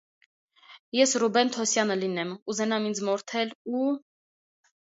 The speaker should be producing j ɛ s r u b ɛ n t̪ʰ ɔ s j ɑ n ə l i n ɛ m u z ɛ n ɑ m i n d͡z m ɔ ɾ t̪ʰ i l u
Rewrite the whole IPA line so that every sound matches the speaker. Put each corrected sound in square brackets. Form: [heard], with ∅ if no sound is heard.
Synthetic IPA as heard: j ɛ s r u b ɛ n t̪ʰ ɔ s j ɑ n ə l i n ɛ m u z ɛ n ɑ m i n d͡z m ɔ ɾ t̪ʰ [ɛ] l u